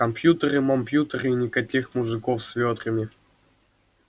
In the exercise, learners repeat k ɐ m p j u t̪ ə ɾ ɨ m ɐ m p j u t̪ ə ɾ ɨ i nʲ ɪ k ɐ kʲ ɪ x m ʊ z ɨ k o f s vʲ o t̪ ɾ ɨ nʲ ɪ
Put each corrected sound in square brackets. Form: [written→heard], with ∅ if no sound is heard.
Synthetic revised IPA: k ɐ m p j u t̪ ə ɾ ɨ m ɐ m p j u t̪ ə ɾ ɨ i nʲ ɪ k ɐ kʲ [ɪ→i] x m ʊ [z→ʐ] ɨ k o f s vʲ o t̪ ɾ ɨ [nʲ→mʲ] ɪ